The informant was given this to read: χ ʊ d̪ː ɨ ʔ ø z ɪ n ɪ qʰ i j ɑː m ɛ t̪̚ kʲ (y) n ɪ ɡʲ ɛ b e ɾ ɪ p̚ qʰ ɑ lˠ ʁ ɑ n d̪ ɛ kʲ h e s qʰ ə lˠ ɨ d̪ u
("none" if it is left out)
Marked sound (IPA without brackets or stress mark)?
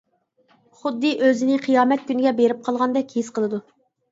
y